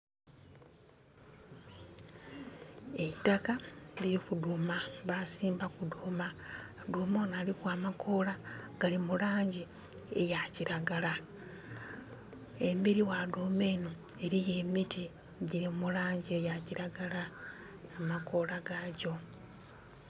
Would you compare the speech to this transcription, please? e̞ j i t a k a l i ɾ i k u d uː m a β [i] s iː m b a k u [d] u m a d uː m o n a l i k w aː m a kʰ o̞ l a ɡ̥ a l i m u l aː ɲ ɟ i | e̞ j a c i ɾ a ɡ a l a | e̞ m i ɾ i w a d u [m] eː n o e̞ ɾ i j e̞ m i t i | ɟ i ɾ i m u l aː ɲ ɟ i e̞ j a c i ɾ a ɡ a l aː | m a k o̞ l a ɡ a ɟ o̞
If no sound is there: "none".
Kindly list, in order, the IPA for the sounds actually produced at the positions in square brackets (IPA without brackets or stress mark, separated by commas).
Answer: a, d, m